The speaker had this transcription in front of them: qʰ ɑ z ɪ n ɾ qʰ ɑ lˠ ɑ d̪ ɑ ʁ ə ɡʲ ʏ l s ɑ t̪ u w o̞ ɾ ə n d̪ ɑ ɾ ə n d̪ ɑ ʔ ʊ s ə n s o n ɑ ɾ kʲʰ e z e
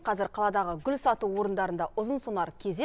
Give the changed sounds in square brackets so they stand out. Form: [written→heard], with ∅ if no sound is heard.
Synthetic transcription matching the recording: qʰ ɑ z ɪ [n→∅] ɾ qʰ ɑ lˠ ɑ d̪ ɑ ʁ ə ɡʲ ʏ l s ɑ t̪ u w o̞ ɾ ə n d̪ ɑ ɾ ə n d̪ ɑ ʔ ʊ [s→z] ə n s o n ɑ ɾ kʲʰ e z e